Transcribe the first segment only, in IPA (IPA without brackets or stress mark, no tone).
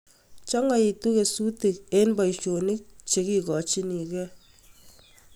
t͡ʃ